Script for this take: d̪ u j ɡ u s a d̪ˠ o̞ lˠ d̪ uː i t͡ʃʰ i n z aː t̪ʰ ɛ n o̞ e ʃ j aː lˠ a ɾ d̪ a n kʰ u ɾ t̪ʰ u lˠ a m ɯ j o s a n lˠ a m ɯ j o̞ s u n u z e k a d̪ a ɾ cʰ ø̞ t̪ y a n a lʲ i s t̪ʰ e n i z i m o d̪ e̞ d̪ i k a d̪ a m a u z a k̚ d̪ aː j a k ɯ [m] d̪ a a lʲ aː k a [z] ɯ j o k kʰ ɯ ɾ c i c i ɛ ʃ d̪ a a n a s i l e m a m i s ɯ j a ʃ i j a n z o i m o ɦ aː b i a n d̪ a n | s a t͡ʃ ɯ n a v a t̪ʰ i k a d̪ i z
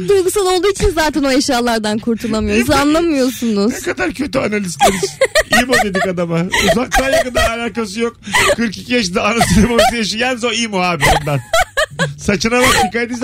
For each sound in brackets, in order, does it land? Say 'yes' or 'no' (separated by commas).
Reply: no, no